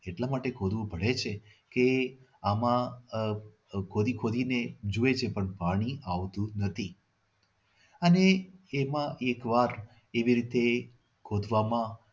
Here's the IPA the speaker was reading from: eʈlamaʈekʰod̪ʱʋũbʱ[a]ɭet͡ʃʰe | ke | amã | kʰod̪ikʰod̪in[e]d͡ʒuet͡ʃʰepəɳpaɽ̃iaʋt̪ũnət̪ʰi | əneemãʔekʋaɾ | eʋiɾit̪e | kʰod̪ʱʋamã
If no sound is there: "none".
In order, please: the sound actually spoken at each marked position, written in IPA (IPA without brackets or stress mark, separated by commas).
ə, e